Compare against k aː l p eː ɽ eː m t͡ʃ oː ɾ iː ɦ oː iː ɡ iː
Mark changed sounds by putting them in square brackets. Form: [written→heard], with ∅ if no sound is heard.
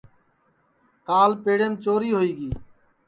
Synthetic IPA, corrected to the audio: k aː l p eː ɽ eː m t͡ʃ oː ɾ iː ɦ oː iː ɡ iː